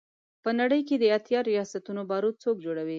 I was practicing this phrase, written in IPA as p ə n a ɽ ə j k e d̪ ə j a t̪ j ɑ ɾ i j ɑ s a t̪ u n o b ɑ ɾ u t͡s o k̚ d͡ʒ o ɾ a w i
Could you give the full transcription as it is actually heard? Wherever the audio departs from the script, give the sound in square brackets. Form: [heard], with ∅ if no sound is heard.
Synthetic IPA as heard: p ə n a ɽ ə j k e d̪ ə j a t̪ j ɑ ɾ i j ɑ s a t̪ u n o b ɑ ɾ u t͡s o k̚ d͡ʒ o [ɽ] a w i